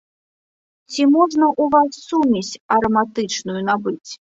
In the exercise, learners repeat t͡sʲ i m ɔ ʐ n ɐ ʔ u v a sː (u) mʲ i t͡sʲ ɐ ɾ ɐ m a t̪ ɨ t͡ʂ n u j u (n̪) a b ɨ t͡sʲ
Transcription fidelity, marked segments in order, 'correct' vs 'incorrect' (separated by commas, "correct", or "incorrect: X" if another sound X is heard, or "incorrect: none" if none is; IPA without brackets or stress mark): correct, correct